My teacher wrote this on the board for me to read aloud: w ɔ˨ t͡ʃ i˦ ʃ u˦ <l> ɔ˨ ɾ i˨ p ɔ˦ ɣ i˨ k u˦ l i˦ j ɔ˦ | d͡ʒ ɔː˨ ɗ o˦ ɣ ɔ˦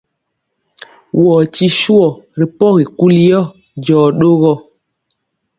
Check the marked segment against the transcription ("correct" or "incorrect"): incorrect